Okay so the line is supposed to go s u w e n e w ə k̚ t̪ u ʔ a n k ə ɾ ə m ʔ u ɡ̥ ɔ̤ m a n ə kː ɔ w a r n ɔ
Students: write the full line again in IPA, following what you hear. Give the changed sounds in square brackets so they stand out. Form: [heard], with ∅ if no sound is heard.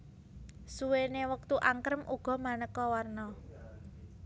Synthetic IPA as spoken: s u w e n e w ə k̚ t̪ u ʔ a [ŋ] k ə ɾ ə m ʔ u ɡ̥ ɔ̤ m a n ə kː ɔ w a r n ɔ